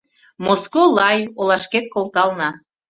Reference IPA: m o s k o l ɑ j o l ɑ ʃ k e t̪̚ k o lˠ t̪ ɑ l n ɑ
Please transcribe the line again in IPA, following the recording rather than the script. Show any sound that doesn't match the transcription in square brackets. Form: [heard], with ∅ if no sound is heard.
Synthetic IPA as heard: m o s k o l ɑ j o l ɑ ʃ k e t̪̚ k o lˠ t̪ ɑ l n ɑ